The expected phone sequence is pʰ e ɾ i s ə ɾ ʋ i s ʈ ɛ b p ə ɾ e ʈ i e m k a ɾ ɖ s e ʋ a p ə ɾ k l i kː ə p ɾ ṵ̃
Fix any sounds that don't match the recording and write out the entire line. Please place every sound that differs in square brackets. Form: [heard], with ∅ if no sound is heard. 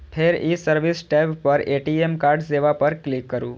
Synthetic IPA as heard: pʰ e ɾ i s ə ɾ ʋ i s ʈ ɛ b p ə ɾ e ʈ i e m k a ɾ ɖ s e ʋ a p ə ɾ k l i kː ə [∅] ɾ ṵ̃